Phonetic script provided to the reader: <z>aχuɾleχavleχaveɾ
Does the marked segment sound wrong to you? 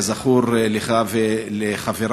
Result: no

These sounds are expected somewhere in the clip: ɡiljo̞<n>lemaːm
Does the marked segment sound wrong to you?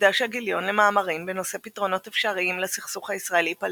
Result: no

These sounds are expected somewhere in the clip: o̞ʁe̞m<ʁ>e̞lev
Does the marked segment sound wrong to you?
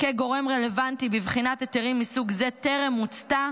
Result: no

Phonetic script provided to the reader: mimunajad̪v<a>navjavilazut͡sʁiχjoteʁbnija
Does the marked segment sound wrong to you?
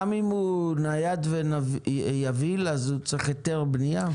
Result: yes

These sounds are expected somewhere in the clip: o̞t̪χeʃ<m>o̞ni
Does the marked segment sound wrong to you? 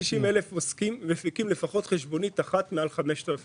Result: yes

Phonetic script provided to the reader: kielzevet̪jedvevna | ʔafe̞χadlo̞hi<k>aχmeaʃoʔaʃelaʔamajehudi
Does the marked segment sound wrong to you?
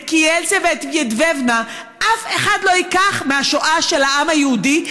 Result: no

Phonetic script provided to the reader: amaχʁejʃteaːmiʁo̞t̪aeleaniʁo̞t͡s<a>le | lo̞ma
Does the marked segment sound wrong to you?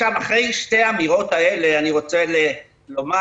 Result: yes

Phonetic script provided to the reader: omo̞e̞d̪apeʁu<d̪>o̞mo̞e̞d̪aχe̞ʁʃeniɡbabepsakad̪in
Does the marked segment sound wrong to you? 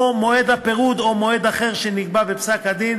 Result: no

